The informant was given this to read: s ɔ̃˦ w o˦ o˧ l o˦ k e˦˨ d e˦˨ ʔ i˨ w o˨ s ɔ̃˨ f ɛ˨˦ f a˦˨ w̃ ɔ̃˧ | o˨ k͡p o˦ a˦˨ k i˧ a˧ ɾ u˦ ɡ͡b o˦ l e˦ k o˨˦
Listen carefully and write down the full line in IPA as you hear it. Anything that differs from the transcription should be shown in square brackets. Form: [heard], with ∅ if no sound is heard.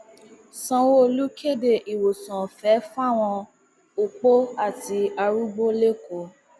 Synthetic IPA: s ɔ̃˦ w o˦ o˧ l [u˦] k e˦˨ d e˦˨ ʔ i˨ w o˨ s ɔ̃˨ f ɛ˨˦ f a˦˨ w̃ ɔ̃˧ | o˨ k͡p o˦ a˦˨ [t] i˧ a˧ ɾ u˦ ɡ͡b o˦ l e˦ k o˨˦